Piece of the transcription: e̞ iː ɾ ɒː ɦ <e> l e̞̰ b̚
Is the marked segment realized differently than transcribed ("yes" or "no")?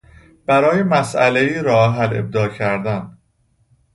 yes